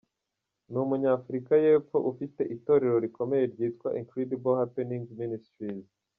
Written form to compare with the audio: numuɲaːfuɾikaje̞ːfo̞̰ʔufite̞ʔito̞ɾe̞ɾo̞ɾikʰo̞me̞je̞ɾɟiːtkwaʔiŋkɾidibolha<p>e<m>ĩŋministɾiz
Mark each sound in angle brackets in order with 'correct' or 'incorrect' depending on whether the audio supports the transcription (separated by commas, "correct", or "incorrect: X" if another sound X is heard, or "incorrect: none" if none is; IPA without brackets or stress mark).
correct, incorrect: n